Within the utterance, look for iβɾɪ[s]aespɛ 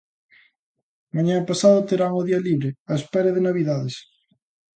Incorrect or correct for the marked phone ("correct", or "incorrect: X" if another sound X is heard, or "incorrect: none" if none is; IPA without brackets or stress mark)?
incorrect: none